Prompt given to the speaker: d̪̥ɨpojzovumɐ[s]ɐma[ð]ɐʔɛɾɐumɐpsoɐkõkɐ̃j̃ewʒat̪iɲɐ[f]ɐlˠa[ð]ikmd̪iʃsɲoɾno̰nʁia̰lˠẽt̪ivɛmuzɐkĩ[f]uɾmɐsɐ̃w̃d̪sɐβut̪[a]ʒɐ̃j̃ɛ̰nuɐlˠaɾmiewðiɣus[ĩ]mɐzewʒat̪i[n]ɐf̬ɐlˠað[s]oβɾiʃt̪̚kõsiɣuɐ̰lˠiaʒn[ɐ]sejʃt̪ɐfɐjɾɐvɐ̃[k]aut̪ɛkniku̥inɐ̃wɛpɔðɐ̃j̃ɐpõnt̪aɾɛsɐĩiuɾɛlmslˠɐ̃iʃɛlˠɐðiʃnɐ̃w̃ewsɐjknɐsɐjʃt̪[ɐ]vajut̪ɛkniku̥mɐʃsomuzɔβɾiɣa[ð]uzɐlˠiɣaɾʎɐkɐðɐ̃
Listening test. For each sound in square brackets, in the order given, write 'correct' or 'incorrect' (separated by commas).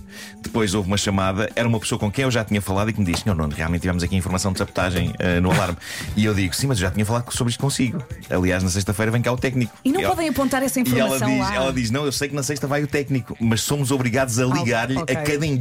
incorrect, correct, correct, correct, correct, correct, correct, incorrect, correct, correct, correct, correct, correct